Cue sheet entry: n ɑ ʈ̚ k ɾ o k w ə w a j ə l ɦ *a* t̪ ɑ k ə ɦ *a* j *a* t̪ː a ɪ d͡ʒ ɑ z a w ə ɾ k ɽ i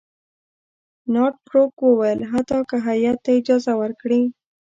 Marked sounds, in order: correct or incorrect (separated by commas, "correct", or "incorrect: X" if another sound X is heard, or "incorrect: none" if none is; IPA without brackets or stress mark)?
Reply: correct, correct, correct